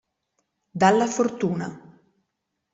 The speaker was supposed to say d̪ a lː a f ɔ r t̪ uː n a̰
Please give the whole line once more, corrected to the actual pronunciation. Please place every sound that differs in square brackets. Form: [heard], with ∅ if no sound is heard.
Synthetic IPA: d̪ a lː a f [o] r t̪ uː n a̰